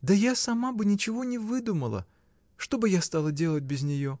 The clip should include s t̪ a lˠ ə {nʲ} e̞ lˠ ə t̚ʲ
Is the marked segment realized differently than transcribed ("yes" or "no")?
yes